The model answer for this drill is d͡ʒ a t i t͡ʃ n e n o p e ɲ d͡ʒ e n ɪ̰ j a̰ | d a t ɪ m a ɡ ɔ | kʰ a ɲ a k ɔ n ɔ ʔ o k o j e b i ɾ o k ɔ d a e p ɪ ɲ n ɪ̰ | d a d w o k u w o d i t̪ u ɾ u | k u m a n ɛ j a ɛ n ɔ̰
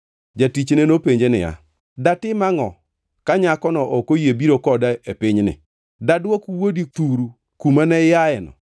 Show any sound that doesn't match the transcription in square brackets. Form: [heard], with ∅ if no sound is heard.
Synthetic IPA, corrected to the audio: d͡ʒ a t i t͡ʃ n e n o p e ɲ d͡ʒ e n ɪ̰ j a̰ | d a t ɪ m a [ŋ] ɔ | [k] a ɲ a k ɔ n ɔ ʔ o k o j e b i ɾ o k ɔ d a e p ɪ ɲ n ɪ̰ | d a d w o k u w o d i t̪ u ɾ u | k u m a n ɛ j a ɛ n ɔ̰